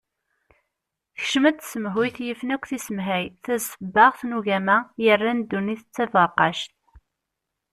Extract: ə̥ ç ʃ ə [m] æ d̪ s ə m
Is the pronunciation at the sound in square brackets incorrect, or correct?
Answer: correct